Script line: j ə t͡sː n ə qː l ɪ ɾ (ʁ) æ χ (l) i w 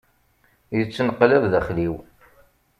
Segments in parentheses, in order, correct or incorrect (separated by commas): incorrect, correct